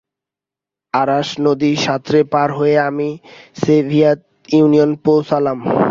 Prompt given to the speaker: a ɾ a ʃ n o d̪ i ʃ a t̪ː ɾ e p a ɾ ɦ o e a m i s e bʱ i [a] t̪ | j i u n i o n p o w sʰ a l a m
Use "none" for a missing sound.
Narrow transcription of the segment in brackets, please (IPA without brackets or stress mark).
a